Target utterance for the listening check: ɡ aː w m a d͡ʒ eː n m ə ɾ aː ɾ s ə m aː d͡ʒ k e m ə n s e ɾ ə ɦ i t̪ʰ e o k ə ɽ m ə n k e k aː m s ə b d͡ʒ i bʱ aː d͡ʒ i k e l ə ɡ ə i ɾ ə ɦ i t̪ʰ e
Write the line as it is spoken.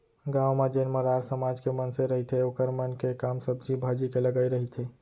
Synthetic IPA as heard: ɡ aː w m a d͡ʒ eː n m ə ɾ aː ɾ s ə m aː d͡ʒ k e m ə n s e ɾ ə ɦ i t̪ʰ e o k ə ɾ m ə n k e k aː m s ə b d͡ʒ i bʱ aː d͡ʒ i k e l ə ɡ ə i ɾ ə ɦ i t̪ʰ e